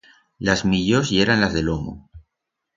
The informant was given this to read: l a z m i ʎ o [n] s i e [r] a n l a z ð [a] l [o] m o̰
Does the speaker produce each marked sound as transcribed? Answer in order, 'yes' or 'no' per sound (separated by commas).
no, no, no, yes